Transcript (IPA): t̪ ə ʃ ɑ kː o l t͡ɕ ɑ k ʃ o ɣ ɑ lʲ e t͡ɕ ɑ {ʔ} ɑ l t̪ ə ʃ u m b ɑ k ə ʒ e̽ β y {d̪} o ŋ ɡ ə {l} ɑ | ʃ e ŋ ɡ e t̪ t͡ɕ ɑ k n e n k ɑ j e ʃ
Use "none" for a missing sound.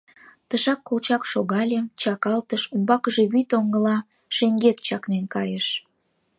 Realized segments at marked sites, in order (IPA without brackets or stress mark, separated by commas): k, t̪, l